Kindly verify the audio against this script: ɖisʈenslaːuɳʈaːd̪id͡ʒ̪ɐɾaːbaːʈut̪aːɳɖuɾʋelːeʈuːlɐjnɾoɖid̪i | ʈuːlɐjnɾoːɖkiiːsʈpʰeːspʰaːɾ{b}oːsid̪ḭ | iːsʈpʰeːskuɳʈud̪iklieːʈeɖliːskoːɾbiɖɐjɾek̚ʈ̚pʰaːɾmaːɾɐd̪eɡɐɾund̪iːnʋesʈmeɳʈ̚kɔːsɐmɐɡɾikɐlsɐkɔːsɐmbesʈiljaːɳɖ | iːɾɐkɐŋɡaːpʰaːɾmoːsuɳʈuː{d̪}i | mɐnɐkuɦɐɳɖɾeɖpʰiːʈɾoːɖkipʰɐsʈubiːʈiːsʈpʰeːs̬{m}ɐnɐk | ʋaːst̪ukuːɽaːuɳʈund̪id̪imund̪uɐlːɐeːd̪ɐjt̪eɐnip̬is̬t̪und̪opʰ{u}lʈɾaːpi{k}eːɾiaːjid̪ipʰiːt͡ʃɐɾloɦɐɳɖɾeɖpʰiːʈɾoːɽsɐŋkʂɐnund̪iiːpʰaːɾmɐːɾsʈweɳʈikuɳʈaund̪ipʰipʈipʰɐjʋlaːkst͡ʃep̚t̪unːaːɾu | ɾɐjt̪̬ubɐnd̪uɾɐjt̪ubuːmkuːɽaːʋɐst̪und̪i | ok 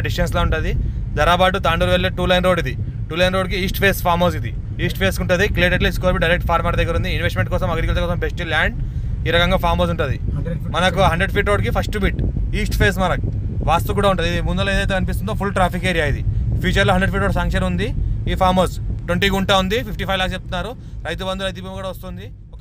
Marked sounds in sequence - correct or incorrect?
incorrect: m, correct, correct, correct, correct

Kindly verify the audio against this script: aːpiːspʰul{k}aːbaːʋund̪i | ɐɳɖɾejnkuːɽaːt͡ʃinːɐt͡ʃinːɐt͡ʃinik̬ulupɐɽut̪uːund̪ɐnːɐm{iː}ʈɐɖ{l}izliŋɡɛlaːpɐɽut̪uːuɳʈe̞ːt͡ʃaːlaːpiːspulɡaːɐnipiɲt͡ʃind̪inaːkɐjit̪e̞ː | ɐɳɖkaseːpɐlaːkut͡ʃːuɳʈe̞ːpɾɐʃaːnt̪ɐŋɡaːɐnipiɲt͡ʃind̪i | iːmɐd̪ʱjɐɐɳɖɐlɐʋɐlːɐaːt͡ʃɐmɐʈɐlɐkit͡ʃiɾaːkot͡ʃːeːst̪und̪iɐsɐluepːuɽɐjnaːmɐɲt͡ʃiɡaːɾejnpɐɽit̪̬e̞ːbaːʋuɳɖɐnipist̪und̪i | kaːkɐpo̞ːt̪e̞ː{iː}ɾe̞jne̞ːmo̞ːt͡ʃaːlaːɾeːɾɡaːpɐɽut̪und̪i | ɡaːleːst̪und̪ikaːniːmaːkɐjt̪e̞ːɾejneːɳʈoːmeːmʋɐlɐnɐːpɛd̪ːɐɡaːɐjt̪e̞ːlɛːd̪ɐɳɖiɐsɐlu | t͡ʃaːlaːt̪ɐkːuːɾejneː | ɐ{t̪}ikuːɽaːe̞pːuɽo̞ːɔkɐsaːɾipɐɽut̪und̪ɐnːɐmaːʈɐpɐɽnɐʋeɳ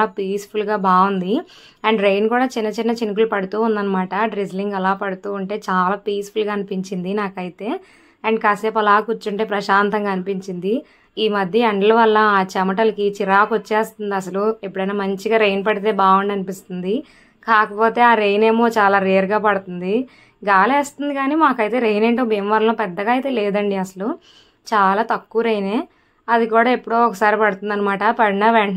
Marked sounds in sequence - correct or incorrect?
incorrect: ɡ, incorrect: aː, incorrect: ɾ, incorrect: aː, incorrect: d̪

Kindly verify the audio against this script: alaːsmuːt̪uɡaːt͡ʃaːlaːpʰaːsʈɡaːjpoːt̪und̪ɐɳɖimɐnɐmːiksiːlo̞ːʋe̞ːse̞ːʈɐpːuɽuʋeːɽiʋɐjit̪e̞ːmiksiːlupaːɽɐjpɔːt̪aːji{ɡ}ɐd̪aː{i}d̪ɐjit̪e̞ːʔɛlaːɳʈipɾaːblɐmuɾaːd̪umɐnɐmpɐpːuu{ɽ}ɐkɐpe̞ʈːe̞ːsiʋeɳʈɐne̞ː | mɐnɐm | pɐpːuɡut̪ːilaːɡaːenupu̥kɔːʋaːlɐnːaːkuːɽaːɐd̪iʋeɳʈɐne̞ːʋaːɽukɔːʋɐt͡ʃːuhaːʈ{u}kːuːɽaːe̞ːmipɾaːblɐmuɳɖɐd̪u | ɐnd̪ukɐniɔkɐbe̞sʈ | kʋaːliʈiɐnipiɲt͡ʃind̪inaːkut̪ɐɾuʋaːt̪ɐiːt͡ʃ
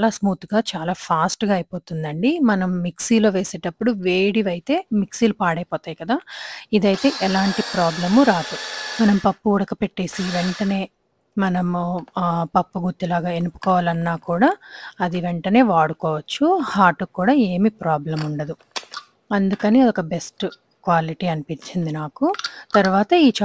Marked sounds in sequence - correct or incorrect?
incorrect: k, correct, correct, correct

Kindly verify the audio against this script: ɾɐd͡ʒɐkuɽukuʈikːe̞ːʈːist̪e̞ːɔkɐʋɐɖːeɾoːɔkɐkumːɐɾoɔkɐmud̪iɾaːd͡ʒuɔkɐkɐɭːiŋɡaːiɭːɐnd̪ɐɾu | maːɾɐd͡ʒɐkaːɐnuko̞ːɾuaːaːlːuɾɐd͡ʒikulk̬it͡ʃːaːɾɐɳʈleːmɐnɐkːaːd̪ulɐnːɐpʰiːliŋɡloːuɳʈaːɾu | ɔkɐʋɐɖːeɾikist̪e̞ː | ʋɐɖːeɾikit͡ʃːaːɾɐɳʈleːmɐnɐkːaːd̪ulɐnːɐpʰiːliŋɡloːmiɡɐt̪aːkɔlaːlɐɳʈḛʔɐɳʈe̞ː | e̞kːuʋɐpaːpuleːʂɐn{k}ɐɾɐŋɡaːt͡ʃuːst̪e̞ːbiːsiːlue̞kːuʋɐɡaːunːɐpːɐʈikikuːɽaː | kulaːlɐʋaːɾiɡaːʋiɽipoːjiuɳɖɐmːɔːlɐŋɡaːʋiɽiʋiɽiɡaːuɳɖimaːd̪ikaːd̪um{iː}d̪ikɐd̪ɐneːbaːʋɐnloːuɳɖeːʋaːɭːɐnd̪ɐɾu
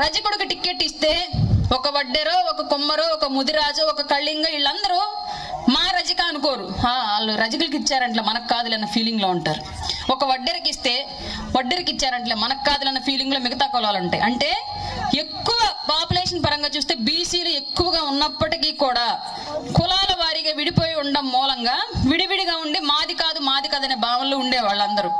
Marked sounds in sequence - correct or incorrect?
incorrect: p, incorrect: aː

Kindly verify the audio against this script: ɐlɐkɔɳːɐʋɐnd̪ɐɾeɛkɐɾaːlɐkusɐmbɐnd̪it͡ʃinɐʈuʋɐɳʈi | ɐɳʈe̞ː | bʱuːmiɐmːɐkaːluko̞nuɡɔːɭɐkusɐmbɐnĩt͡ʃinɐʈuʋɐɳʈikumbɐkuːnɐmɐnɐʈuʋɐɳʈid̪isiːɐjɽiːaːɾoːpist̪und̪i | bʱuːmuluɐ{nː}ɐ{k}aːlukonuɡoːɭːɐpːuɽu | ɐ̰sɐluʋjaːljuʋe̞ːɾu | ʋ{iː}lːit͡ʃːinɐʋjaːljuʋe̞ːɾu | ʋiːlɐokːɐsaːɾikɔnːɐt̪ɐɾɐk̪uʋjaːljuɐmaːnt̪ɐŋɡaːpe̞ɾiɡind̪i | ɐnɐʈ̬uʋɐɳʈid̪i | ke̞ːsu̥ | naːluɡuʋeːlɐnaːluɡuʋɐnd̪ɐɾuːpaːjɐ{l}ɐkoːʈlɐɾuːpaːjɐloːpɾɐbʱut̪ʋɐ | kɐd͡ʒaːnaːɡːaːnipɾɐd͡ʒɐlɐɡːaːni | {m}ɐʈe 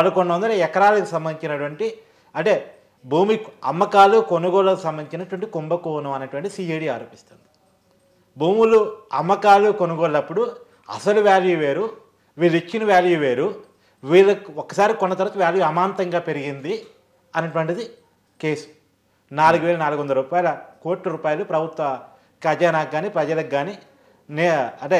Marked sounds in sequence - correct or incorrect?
incorrect: mː, correct, correct, correct, incorrect: n

